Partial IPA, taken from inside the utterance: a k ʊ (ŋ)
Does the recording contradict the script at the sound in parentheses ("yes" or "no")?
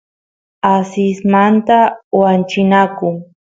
no